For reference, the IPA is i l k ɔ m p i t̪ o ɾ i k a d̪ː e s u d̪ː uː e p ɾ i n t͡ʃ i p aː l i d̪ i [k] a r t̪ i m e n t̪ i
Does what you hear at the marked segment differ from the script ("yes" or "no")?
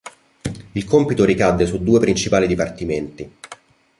yes